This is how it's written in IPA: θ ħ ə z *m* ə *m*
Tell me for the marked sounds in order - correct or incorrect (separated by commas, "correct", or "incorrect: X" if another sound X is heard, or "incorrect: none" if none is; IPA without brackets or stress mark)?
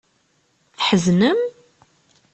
incorrect: n, correct